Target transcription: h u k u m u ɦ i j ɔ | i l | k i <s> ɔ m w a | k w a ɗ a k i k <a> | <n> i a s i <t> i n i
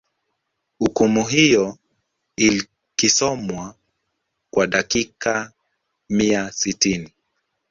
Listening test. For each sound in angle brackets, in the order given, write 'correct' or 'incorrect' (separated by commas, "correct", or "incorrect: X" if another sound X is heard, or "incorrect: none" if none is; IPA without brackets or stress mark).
correct, correct, incorrect: m, correct